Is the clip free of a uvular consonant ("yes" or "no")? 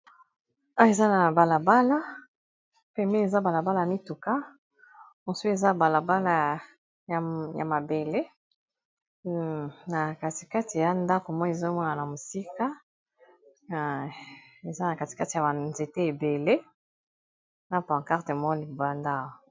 no